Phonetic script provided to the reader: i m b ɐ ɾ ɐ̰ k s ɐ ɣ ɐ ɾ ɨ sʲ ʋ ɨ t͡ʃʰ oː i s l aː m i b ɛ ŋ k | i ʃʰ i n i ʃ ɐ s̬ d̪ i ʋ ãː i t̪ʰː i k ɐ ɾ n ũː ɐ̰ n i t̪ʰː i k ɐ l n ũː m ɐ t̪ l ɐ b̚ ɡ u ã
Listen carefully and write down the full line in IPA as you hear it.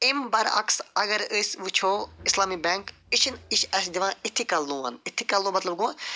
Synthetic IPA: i m b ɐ ɾ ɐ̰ k s ɐ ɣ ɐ ɾ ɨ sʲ ʋ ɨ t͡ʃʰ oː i s l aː m i b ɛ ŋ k | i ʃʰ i n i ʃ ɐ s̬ d̪ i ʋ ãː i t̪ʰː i k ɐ l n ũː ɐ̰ n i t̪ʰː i k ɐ l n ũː m ɐ t̪ l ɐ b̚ ɡ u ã